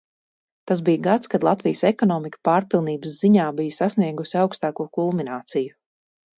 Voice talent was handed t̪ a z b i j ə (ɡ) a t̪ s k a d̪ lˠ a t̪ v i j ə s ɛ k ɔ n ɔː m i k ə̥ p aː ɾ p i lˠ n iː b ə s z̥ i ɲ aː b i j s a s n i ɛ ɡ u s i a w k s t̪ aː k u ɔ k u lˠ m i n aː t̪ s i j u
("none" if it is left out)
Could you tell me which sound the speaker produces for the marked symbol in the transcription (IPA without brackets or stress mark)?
ɡ